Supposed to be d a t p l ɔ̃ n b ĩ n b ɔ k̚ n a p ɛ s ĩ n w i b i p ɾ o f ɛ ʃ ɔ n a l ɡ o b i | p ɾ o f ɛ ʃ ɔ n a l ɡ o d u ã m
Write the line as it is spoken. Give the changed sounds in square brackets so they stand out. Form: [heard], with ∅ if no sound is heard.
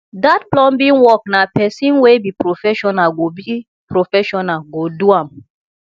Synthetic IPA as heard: d a t p l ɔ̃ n b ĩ n [w] ɔ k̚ n a p ɛ s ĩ n w [e] b i p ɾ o f ɛ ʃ ɔ n a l ɡ o b i | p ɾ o f ɛ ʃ ɔ n a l ɡ o d u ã m